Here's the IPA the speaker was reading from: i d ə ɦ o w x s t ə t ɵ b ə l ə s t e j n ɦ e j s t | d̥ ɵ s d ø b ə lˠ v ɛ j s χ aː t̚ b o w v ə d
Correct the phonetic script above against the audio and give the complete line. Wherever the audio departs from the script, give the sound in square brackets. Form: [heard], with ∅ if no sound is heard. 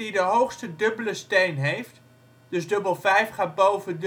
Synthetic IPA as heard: i d ə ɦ o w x s t ə [d] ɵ b ə l ə s t e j n ɦ e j [f] t | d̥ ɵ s d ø b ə lˠ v ɛ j [f] χ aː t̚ b o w v ə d